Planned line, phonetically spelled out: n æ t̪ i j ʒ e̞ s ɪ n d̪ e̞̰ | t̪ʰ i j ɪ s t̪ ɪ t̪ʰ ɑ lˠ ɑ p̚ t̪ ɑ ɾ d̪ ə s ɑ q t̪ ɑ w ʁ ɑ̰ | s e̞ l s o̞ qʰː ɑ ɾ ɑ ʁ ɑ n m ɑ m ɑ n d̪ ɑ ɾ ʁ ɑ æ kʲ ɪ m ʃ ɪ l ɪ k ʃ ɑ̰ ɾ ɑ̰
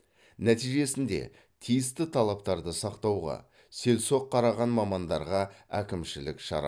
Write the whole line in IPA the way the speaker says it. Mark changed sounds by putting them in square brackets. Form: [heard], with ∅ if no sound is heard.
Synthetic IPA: n æ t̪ i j ʒ e̞ s ɪ n d̪ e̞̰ | t̪ʰ i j ɪ s t̪ ɪ t̪ʰ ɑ lˠ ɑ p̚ t̪ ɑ ɾ d̪ ə s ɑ q t̪ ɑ w ʁ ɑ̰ | s e̞ l s o̞ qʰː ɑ ɾ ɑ ʁ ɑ n m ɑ m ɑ n d̪ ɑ ɾ ʁ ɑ æ kʲ ɪ m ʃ ɪ l ɪ k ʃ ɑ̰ ɾ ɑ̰